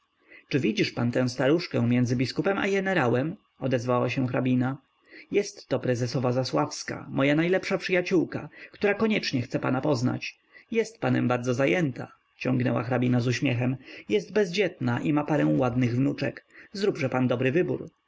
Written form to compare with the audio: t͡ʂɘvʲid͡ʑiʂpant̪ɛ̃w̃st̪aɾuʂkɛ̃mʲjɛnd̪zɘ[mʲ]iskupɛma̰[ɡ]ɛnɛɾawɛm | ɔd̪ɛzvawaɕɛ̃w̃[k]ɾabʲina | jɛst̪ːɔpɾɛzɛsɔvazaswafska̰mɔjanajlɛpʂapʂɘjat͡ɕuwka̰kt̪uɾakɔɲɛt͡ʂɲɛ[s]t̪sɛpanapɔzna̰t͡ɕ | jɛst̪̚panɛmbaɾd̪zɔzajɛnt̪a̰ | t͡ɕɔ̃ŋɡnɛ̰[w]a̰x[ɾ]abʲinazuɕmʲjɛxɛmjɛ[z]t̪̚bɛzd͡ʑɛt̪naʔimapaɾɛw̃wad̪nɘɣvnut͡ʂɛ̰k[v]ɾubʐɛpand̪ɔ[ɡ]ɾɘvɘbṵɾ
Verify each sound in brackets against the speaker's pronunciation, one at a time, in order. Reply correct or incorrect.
incorrect, correct, incorrect, incorrect, correct, correct, incorrect, incorrect, incorrect

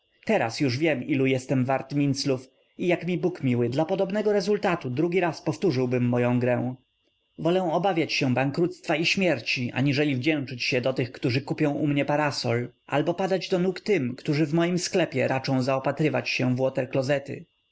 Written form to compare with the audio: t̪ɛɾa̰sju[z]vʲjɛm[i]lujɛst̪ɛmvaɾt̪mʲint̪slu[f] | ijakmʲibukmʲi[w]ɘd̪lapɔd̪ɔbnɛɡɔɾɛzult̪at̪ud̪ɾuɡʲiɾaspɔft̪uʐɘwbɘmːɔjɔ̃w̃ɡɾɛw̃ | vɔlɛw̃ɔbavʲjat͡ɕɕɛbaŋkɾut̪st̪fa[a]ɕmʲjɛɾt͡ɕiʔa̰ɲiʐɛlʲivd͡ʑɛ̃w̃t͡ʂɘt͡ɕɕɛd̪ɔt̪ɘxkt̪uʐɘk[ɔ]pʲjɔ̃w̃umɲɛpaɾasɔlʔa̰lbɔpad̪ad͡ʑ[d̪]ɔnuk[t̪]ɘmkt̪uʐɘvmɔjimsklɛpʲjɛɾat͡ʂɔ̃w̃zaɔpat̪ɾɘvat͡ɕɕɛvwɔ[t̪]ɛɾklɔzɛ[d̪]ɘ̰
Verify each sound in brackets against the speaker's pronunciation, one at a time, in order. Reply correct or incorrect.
incorrect, correct, correct, correct, incorrect, incorrect, correct, correct, correct, incorrect

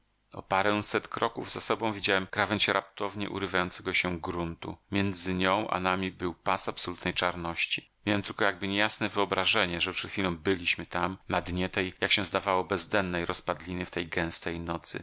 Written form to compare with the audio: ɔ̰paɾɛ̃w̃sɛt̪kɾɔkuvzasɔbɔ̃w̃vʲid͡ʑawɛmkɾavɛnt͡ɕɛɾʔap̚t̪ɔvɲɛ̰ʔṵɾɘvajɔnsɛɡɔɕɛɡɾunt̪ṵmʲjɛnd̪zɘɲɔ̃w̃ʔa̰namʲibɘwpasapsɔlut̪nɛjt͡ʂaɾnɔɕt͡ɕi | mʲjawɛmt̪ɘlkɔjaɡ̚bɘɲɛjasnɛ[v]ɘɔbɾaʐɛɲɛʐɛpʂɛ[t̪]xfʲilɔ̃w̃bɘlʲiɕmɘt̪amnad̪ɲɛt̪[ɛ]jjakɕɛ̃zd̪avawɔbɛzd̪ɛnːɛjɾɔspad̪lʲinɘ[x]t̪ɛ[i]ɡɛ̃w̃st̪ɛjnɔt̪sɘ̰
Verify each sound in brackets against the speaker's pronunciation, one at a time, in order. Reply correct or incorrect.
correct, correct, correct, incorrect, incorrect

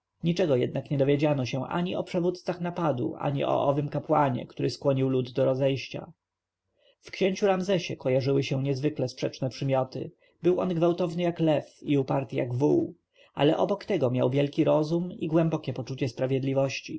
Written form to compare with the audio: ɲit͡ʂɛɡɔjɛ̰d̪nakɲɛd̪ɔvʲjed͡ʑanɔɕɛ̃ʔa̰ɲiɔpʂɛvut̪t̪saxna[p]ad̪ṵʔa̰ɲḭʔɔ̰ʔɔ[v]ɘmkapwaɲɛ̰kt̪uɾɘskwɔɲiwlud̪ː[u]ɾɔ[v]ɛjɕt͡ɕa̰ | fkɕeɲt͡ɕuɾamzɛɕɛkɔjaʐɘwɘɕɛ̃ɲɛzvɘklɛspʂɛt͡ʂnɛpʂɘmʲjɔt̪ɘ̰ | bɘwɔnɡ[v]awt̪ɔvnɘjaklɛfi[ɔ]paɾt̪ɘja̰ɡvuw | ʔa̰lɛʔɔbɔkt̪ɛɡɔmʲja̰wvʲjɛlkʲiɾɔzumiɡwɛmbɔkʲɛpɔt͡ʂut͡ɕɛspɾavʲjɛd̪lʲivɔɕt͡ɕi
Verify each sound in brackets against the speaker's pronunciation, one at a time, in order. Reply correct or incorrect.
correct, correct, incorrect, incorrect, correct, incorrect

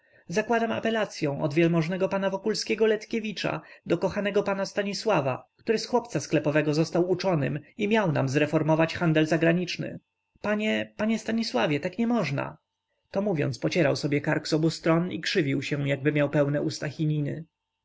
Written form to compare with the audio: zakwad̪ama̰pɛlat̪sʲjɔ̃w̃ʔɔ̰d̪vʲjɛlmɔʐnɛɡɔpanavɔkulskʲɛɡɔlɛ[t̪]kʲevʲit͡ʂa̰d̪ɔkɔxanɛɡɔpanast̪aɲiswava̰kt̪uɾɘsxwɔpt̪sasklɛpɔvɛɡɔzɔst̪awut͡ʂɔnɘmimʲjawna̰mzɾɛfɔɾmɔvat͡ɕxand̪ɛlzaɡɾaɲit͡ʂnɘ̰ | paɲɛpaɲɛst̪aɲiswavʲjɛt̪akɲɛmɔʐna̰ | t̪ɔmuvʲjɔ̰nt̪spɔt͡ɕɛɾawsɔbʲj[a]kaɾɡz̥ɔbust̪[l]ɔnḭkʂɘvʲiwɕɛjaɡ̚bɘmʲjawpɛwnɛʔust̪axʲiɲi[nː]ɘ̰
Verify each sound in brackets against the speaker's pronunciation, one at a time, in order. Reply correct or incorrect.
correct, incorrect, incorrect, incorrect

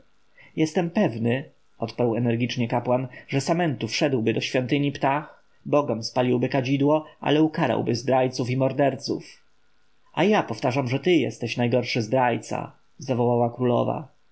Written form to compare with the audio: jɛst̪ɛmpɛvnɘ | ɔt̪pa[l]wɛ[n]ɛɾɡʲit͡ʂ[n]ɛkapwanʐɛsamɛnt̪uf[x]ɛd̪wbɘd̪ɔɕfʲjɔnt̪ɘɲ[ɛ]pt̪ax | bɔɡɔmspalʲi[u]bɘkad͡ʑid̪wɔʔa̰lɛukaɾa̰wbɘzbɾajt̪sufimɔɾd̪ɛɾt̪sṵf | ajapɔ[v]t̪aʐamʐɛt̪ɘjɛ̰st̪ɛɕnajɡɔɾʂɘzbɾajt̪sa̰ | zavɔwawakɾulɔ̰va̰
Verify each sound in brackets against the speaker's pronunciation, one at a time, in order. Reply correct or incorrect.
incorrect, correct, incorrect, incorrect, incorrect, incorrect, incorrect

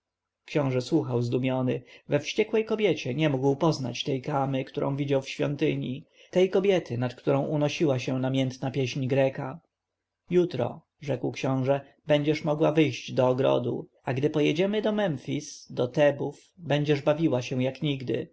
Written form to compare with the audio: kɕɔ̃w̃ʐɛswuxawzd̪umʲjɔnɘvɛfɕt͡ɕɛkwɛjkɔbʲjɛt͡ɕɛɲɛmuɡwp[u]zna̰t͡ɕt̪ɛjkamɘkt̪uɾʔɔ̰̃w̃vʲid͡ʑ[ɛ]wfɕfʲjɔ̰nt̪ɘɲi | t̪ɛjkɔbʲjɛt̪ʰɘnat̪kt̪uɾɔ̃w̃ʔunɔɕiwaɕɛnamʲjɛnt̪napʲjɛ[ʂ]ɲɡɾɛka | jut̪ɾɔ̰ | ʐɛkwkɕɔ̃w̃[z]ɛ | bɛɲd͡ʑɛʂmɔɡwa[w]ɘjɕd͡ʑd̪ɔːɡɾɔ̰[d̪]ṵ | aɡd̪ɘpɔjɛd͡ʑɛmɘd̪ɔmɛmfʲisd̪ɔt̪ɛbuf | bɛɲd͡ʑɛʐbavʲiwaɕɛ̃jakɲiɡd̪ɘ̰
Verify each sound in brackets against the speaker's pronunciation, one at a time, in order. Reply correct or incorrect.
incorrect, incorrect, incorrect, incorrect, incorrect, correct

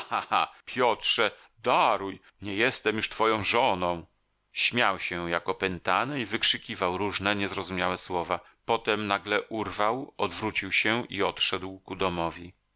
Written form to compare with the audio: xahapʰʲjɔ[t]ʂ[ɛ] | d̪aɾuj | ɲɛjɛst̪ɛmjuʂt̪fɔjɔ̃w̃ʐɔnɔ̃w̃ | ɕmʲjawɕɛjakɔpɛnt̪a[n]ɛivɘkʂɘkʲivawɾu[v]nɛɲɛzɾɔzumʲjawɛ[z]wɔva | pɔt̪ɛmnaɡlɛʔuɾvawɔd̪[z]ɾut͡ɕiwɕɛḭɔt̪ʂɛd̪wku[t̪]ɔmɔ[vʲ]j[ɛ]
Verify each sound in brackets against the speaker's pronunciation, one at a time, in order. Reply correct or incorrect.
correct, correct, correct, incorrect, incorrect, incorrect, incorrect, correct, incorrect

